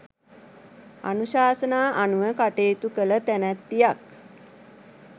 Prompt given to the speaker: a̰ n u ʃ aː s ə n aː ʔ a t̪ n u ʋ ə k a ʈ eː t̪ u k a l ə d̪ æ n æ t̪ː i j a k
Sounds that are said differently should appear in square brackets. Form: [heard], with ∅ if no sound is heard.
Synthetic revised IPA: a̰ n u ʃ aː s ə n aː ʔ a [∅] n u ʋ ə k a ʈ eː t̪ u k [ə] l ə [t̪] æ n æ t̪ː i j a k